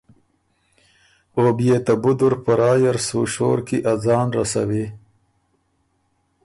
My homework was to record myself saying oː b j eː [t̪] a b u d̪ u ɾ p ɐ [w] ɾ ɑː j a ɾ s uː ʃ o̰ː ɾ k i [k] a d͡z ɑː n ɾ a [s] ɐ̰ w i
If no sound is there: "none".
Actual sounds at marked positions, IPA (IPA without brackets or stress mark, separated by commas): t̪, none, ʔ, s